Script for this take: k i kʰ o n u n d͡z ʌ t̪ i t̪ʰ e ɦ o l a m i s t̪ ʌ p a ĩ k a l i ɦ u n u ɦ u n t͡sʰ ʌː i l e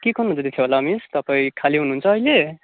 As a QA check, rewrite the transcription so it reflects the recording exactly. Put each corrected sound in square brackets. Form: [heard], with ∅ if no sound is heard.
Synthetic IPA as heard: k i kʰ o n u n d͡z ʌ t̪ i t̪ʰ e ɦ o l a m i s t̪ ʌ p a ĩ [kʰ] a l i ɦ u n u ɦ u n t͡sʰ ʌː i l e